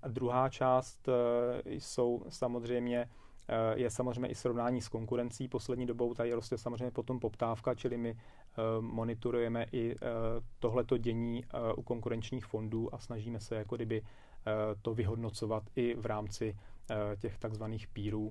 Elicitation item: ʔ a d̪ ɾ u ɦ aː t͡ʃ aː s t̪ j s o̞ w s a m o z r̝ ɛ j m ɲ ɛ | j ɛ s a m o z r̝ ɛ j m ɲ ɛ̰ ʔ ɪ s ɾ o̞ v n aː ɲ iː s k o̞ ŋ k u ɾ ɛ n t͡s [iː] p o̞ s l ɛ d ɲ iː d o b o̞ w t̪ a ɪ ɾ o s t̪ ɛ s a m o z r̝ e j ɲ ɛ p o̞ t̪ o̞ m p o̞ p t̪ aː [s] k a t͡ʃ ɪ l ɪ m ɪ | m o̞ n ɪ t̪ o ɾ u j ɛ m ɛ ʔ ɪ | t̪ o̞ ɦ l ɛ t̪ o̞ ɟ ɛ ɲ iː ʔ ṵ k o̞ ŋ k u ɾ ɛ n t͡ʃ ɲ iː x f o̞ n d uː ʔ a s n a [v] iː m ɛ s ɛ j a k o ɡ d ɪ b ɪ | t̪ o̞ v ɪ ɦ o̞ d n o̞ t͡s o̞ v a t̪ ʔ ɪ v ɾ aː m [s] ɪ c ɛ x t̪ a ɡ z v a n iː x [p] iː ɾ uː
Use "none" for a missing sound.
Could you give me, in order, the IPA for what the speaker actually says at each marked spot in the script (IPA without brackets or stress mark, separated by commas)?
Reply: iː, f, ʒ, t͡s, p